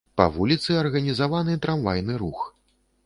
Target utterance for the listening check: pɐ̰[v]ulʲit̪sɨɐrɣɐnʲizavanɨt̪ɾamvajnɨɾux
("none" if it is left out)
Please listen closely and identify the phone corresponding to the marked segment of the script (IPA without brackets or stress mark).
v